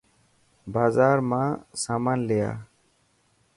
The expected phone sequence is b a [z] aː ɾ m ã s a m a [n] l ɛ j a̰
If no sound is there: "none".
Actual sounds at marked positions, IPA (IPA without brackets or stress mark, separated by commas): z, n